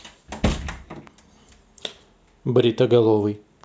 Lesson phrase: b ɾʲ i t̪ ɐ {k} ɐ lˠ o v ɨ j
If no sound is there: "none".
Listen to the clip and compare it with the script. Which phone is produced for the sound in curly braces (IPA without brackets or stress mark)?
ɡ